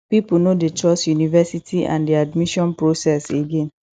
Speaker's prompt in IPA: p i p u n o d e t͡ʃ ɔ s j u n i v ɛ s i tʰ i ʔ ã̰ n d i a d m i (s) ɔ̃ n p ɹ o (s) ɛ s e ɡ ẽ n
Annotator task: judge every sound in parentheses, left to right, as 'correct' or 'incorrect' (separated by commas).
incorrect, correct